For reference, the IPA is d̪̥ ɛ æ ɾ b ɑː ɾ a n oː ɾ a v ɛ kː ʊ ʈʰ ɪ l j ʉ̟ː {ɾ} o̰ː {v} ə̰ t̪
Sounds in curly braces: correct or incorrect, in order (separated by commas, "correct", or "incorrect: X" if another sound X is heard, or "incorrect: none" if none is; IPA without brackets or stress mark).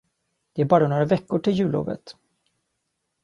incorrect: l, correct